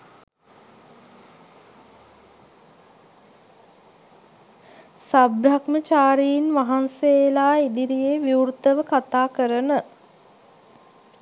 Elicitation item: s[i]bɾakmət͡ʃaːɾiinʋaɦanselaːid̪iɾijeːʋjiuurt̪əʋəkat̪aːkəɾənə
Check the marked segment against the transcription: incorrect: a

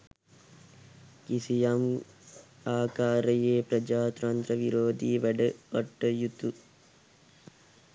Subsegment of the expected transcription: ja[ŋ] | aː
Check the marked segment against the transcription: incorrect: m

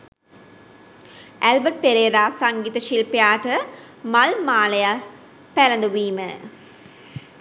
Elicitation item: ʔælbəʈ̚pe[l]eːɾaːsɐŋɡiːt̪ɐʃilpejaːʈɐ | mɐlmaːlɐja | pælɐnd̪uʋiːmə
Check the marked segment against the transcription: incorrect: ɾ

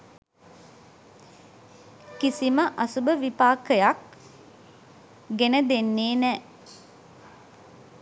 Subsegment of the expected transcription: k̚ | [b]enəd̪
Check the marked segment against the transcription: incorrect: ɡ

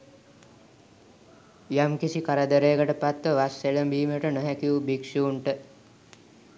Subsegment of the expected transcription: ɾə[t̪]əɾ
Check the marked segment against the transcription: incorrect: d̪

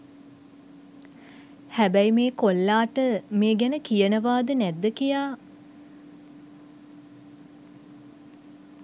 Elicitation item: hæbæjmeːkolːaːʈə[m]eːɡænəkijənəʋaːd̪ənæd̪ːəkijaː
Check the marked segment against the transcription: correct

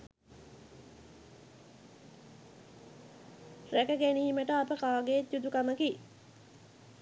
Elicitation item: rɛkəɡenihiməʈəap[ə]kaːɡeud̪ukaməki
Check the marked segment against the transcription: correct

